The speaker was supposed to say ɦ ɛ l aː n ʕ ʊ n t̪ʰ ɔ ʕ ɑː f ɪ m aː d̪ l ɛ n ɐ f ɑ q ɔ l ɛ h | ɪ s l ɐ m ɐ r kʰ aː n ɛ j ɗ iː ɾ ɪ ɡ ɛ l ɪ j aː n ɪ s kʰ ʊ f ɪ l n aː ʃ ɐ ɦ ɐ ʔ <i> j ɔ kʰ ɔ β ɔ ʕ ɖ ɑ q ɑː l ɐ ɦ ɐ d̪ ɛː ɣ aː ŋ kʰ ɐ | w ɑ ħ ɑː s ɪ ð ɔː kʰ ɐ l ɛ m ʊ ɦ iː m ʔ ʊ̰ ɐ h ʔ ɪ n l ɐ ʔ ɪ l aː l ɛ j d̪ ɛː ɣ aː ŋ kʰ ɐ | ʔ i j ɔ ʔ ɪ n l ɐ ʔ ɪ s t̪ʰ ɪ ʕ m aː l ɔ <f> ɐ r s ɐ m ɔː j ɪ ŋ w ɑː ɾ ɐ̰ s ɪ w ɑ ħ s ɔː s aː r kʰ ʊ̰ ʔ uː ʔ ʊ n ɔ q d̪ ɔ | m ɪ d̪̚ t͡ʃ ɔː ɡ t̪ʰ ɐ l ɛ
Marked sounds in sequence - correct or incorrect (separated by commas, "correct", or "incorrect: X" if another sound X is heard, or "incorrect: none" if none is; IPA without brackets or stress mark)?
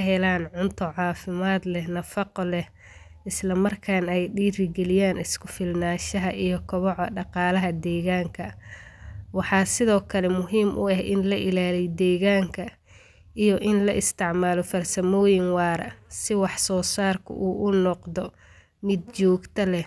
correct, correct